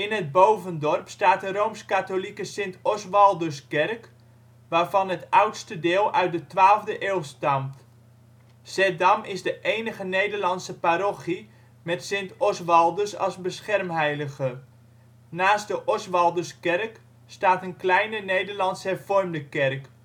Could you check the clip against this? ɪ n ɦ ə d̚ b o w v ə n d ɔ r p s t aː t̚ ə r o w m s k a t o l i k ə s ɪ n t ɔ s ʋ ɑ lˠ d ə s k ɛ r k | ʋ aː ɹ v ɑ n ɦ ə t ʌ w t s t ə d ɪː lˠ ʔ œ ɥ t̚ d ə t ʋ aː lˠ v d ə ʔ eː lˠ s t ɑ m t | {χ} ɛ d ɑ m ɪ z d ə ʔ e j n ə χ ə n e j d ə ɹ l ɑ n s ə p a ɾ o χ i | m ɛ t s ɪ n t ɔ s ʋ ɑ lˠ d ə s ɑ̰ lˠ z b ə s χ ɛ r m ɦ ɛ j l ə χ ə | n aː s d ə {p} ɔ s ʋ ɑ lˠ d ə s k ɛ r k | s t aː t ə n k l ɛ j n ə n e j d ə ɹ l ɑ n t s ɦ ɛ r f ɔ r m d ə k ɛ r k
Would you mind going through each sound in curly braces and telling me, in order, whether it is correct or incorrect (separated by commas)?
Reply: incorrect, incorrect